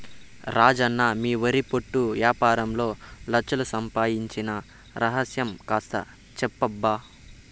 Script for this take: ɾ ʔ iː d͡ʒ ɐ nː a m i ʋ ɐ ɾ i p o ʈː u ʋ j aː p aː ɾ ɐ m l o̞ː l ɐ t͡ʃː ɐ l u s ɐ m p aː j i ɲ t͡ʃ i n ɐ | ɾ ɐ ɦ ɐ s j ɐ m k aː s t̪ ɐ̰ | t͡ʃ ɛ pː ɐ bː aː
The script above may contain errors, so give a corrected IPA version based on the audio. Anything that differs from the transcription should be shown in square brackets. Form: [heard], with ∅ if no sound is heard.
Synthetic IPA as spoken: ɾ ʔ [aː] d͡ʒ ɐ nː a m [iː] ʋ ɐ ɾ i p o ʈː u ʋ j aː p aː ɾ ɐ m l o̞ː l ɐ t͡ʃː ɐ l u s ɐ m p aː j i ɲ t͡ʃ i n ɐ | ɾ ɐ ɦ ɐ s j ɐ m k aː s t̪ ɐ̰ | t͡ʃ ɛ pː ɐ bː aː